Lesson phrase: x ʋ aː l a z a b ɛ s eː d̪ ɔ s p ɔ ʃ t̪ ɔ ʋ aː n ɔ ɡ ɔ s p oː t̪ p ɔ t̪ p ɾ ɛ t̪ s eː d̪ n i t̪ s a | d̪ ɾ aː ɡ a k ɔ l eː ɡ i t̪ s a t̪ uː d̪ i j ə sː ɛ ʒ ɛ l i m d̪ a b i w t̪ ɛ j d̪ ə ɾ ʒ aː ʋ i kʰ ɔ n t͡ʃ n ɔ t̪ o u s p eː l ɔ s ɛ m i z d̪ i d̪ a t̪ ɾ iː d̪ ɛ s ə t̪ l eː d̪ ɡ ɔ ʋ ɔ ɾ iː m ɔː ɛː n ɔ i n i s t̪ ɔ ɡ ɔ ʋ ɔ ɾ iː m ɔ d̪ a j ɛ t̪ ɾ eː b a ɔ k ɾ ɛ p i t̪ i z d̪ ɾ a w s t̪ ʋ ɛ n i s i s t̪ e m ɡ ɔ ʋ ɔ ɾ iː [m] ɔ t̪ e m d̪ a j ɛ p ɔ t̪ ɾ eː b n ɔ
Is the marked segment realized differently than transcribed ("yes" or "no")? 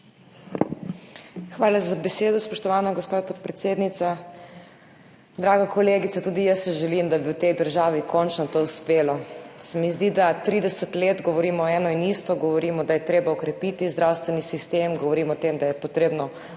no